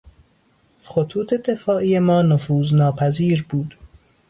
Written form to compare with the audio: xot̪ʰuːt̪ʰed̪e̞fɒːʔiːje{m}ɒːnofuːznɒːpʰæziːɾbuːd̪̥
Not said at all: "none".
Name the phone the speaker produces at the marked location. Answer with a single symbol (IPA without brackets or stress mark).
m